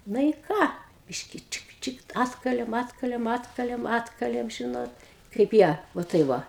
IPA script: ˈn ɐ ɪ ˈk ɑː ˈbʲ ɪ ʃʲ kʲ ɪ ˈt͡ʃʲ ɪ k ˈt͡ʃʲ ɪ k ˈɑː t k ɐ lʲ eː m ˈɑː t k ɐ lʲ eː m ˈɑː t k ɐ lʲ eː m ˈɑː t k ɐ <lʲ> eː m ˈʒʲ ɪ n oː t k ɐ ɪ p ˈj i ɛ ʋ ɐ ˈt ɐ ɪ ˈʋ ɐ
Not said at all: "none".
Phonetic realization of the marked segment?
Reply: lʲ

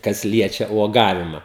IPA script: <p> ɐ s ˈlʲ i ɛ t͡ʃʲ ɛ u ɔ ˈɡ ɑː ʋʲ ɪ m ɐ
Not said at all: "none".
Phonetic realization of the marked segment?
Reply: k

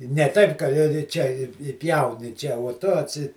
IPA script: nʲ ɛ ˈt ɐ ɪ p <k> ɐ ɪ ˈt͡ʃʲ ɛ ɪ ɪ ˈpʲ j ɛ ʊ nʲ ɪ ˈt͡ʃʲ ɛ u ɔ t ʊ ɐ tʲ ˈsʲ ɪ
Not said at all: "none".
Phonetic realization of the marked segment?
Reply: k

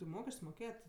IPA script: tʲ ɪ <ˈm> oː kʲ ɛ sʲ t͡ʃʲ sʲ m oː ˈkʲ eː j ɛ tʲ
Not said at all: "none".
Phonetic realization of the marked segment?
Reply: m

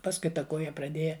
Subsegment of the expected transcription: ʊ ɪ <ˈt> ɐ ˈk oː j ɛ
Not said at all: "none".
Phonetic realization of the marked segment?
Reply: t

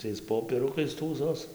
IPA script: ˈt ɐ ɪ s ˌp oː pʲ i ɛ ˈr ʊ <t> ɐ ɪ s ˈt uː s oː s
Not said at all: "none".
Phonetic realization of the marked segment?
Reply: k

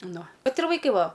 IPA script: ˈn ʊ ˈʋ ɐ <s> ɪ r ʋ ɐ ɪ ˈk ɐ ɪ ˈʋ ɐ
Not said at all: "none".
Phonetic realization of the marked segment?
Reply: t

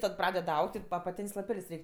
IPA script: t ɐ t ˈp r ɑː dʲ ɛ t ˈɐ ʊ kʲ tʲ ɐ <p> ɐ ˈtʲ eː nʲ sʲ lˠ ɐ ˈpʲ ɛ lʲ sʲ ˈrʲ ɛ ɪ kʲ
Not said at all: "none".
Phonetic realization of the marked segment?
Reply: p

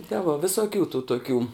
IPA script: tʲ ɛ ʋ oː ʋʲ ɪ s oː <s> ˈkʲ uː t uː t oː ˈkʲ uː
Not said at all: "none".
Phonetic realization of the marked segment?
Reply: none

